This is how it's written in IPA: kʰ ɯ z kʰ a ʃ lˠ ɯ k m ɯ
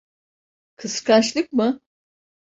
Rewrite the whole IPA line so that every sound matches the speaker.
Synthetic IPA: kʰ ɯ s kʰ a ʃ lˠ ɯ k m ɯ